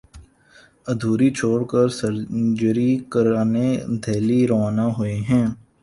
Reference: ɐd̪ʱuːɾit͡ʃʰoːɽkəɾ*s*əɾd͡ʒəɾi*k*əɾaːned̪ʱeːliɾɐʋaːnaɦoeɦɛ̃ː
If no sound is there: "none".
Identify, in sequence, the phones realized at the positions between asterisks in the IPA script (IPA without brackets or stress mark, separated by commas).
s, k